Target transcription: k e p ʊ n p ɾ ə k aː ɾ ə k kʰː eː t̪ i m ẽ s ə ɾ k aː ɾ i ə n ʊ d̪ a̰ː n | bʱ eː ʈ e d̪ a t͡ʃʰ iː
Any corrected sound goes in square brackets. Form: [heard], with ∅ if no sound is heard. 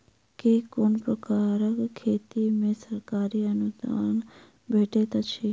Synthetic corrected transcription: k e [k] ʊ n p ɾ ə k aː ɾ ə k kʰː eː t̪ i m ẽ s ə ɾ k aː ɾ i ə n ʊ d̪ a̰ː n | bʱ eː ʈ e [t̪] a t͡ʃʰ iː